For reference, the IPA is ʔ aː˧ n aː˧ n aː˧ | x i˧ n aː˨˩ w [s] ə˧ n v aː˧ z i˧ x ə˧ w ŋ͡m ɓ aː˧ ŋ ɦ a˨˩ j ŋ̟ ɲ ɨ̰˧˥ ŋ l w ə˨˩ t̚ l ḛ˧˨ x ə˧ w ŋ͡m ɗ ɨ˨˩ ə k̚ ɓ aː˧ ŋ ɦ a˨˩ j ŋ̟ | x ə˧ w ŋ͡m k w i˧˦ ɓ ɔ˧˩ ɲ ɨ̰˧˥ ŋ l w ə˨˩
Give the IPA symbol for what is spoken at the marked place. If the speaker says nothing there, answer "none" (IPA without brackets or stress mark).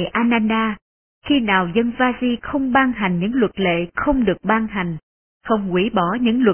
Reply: z